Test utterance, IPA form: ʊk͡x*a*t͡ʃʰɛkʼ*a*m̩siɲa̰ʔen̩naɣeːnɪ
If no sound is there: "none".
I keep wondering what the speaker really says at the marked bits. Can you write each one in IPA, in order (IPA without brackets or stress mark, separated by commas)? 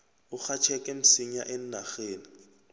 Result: a, ɛ